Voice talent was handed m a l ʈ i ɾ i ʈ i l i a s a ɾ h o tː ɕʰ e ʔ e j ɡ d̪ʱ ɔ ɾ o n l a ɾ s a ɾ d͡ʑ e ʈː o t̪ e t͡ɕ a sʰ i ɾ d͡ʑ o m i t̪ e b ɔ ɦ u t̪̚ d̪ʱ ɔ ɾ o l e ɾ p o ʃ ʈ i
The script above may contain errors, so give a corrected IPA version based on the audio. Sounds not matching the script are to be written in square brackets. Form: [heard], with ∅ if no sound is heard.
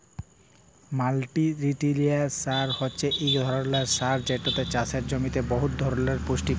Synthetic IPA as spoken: m a l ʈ i ɾ i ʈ i l i a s a ɾ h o tː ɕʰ e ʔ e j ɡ d̪ʱ ɔ ɾ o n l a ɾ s a ɾ d͡ʑ e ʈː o t̪ e t͡ɕ a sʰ [e] ɾ d͡ʑ o m i t̪ e b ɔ ɦ u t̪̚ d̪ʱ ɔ ɾ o l e ɾ p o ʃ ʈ i